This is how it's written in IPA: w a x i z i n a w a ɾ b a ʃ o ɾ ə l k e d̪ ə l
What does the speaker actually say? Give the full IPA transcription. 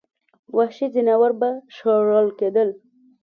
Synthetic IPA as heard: w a ʃ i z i n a w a ɾ b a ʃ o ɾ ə l k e d̪ ə l